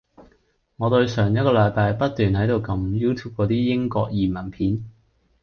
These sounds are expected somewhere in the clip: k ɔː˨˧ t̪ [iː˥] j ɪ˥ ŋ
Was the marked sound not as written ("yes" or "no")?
no